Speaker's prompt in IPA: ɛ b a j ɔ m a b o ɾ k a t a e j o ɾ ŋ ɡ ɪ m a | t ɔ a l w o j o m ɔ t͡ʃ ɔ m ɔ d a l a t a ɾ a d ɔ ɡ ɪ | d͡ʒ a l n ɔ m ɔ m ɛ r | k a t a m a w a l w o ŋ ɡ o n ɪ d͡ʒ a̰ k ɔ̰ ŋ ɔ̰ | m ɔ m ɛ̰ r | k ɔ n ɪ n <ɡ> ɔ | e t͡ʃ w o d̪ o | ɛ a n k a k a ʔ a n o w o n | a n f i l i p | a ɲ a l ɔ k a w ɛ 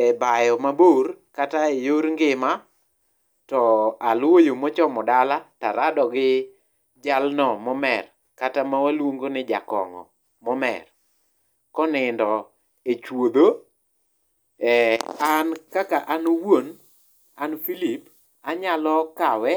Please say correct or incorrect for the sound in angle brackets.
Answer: incorrect